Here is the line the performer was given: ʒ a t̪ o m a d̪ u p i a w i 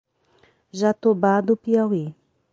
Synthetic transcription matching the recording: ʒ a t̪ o b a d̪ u p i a w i